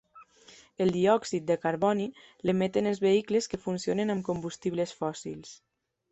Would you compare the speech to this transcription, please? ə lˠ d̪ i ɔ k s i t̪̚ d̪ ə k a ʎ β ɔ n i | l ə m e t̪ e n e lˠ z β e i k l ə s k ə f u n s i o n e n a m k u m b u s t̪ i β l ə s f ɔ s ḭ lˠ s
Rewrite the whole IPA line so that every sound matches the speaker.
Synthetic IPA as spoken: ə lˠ d̪ i ɔ k s i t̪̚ d̪ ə k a ɾ β ɔ n i | l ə m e t̪ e n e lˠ z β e i k l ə s k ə f u n s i o n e n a m k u m b u s t̪ i β l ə s f ɔ s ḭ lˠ s